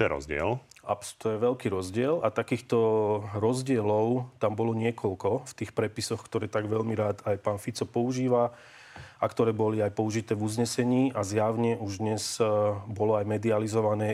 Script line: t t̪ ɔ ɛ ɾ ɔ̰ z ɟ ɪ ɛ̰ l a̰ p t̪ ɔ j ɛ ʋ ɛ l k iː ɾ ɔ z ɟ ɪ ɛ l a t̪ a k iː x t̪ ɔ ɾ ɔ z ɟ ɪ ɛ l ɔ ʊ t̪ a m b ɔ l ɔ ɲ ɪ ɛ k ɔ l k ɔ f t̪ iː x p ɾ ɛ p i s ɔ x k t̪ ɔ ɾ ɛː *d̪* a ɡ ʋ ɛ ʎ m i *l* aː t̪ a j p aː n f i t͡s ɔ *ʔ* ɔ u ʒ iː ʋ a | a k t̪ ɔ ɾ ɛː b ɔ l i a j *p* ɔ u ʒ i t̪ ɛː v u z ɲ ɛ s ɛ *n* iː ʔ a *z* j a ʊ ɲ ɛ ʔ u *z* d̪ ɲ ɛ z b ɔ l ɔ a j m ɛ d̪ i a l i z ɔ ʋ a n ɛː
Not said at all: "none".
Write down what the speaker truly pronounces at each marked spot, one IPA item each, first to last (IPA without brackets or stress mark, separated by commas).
t̪, ɾ, p, p, ɲ, z, ʒ